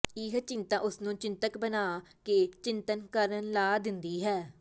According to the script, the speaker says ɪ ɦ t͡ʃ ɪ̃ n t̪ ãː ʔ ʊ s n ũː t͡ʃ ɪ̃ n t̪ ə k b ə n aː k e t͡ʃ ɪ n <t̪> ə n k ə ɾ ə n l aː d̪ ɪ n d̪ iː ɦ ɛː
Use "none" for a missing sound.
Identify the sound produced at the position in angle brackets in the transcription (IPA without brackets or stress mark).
t̪